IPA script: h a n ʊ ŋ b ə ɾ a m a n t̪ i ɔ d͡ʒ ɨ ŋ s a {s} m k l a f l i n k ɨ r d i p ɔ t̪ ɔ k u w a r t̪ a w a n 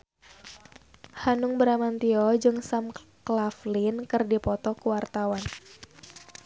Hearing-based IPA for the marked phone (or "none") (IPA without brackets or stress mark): none